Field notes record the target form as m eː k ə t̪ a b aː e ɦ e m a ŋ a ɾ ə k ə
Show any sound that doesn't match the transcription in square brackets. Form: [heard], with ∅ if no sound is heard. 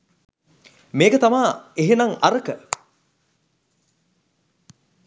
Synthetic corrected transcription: m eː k ə t̪ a [m] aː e ɦ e [n] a ŋ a ɾ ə k ə